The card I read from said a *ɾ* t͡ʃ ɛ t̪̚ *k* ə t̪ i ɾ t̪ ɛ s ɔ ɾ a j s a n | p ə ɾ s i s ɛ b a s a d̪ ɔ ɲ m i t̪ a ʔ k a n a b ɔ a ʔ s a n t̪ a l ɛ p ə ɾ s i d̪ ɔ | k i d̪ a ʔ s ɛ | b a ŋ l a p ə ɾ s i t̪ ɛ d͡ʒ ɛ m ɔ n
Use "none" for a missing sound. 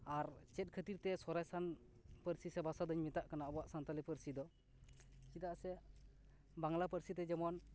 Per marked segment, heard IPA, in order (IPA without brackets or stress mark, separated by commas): ɾ, kʰ